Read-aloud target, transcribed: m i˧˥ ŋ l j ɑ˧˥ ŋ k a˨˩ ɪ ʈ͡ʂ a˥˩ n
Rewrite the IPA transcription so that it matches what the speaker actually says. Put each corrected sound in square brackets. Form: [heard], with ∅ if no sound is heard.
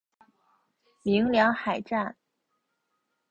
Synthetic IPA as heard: m i˧˥ ŋ l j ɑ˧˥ ŋ [x] a˨˩ ɪ ʈ͡ʂ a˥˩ n